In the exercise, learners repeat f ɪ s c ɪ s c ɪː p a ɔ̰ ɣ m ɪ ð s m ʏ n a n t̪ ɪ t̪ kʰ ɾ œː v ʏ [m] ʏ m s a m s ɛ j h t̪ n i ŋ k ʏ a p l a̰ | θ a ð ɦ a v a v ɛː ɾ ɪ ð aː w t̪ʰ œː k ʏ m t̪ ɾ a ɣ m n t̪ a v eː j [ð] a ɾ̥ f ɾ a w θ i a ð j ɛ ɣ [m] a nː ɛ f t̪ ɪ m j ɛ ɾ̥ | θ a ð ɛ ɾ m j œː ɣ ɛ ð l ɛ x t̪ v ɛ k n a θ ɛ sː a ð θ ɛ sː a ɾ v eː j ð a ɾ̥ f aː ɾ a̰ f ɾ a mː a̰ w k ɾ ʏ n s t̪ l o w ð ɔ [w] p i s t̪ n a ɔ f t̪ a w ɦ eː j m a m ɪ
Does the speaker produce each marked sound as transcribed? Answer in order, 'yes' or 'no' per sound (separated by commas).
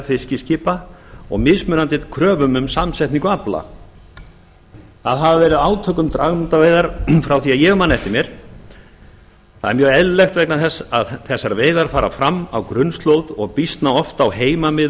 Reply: yes, yes, yes, no